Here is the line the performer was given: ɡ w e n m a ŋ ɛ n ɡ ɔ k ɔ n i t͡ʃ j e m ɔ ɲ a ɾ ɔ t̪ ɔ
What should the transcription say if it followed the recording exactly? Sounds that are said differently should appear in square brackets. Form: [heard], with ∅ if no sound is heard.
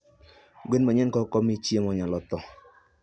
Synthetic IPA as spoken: ɡ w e n m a [ɲ] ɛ n [k] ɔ k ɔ [m] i t͡ʃ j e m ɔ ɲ a [l] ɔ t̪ ɔ